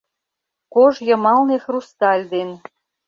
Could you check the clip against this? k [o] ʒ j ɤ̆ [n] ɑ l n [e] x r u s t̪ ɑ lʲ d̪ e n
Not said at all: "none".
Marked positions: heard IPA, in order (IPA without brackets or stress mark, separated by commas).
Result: o, m, e